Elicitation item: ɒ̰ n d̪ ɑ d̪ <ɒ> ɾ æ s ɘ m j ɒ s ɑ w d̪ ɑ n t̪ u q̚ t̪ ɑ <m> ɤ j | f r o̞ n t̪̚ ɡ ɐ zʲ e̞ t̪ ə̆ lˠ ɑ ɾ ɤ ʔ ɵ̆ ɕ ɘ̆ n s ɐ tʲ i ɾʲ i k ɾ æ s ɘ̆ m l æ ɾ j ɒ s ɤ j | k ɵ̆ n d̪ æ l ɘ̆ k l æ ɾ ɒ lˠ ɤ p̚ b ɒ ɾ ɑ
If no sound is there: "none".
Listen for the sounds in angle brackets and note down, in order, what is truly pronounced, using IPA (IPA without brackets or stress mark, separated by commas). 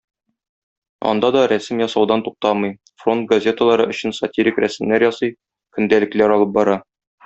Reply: ɒ, m